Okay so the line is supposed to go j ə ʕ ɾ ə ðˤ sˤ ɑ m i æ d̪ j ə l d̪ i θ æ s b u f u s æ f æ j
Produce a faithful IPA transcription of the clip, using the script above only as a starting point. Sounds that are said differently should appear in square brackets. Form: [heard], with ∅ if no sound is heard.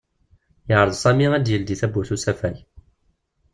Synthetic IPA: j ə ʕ ɾ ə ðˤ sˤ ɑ m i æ d̪ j ə l d̪ i θ æ [∅] b u [θ] u s æ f æ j